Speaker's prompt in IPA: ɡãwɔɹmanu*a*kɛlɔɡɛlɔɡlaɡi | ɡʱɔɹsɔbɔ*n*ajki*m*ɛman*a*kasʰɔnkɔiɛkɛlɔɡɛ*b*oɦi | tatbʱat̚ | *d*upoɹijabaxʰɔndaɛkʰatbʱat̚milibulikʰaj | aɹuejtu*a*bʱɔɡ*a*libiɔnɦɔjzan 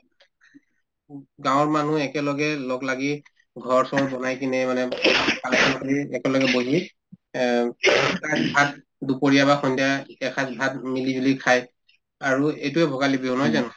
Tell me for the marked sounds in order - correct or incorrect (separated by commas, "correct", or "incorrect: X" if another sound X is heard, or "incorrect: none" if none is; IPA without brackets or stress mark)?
incorrect: ɛ, correct, incorrect: n, incorrect: ɛ, correct, correct, incorrect: ɛ, correct